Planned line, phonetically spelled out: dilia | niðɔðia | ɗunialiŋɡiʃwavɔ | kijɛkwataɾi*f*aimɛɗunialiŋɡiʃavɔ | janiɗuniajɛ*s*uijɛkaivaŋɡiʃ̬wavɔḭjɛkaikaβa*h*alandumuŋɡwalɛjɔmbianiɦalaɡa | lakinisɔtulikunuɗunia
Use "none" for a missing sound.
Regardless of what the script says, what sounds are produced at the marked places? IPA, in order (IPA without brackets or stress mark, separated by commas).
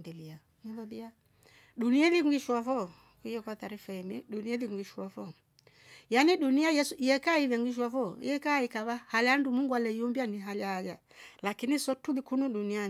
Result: f, s, h